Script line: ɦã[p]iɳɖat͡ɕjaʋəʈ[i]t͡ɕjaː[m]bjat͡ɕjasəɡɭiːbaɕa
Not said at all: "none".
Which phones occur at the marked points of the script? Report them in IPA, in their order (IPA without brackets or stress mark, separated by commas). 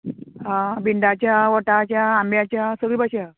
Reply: b, a, m